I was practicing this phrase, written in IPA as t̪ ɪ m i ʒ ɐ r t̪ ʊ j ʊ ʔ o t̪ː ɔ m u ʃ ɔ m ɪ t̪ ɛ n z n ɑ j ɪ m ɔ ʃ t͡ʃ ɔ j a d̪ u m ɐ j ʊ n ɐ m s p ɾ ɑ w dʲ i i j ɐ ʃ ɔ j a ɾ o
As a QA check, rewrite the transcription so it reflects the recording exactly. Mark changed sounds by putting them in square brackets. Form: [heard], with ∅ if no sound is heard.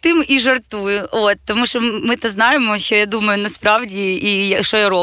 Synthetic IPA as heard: t̪ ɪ m i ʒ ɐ r t̪ [u] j ʊ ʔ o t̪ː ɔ m u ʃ ɔ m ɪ t̪ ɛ [∅] z n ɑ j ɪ m ɔ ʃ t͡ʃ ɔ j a d̪ u m ɐ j ʊ n ɐ [∅] s p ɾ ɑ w dʲ i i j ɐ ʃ ɔ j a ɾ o